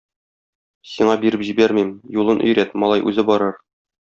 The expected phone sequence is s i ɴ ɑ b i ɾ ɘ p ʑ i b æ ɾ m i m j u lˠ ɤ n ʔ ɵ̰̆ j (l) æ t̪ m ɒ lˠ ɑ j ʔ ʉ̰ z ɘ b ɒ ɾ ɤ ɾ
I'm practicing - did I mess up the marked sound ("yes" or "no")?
yes